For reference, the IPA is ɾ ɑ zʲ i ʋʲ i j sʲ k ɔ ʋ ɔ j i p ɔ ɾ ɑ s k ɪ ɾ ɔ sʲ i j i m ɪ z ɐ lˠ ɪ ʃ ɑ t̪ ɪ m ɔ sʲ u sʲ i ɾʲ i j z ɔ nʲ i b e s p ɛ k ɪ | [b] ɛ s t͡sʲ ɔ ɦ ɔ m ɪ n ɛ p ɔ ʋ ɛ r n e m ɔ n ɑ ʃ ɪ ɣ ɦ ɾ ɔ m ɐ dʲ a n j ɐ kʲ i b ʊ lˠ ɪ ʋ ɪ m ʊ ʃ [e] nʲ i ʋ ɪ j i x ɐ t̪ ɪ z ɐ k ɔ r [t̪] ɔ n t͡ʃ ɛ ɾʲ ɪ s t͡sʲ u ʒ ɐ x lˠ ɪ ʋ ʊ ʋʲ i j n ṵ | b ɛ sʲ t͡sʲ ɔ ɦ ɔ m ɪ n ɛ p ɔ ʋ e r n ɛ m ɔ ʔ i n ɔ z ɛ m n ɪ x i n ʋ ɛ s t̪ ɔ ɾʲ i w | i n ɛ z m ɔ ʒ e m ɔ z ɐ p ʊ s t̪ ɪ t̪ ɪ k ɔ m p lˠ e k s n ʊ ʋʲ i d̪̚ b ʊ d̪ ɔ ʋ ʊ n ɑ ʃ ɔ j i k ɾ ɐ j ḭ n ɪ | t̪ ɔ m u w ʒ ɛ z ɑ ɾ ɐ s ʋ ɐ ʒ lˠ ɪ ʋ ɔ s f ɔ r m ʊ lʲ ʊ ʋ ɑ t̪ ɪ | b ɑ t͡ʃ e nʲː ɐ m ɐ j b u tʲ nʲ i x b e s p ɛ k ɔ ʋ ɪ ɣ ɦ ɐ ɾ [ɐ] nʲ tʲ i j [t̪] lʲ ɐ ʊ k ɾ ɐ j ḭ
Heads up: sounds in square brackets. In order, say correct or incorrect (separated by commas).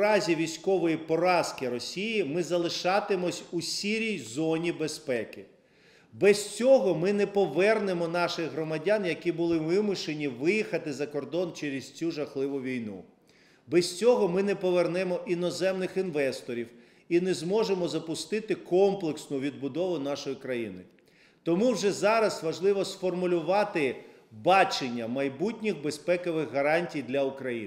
correct, correct, incorrect, incorrect, incorrect